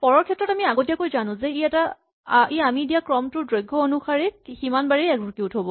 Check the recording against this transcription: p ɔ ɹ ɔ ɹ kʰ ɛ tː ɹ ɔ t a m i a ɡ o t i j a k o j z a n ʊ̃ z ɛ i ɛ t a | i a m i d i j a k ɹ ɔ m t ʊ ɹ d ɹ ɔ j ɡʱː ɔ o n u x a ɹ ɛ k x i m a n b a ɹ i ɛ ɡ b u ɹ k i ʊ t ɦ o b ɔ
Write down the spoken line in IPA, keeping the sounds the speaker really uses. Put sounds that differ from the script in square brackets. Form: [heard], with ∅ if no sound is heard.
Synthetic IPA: p ɔ ɹ ɔ ɹ kʰ ɛ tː ɹ ɔ t a m i a ɡ o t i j a k o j z a n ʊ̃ z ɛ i ɛ t a | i a m i d i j a k ɹ ɔ m t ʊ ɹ d ɹ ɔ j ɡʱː ɔ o n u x a ɹ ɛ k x i m a n b a ɹ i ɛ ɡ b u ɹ k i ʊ t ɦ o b ɔ